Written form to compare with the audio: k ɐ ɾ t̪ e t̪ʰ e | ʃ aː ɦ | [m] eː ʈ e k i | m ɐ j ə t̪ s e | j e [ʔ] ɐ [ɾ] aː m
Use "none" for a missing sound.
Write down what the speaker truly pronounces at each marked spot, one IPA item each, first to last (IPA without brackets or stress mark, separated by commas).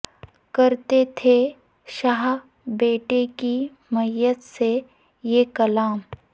b, k, l